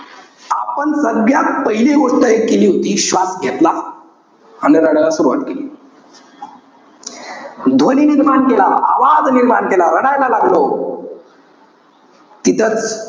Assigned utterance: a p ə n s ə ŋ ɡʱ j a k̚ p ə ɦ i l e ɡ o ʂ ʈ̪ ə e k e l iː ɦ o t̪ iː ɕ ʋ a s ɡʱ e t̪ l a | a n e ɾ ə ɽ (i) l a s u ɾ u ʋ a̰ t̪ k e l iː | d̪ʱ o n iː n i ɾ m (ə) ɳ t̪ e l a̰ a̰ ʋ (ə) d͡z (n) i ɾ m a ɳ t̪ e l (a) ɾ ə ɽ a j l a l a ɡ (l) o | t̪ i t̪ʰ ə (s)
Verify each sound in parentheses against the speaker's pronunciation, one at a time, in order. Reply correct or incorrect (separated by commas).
incorrect, incorrect, incorrect, correct, correct, correct, incorrect